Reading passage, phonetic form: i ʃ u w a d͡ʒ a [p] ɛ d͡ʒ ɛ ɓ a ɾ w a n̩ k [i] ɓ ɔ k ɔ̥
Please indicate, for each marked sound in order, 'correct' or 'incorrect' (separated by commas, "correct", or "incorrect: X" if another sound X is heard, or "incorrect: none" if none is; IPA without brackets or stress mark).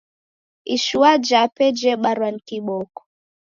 correct, correct